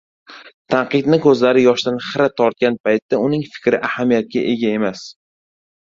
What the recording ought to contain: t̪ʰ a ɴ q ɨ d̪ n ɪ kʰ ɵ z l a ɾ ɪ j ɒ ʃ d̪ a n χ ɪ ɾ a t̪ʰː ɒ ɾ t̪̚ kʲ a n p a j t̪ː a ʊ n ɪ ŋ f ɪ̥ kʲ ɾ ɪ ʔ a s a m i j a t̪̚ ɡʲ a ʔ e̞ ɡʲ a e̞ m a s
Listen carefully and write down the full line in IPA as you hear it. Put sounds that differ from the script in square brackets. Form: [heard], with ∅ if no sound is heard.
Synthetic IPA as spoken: t̪ʰ a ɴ q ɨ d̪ n ɪ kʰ ɵ z l a ɾ ɪ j ɒ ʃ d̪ a n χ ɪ ɾ a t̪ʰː ɒ ɾ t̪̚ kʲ a n p a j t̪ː a ʊ n ɪ ŋ f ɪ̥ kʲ ɾ ɪ ʔ a [h] a m i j a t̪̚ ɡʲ a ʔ e̞ ɡʲ a e̞ m a s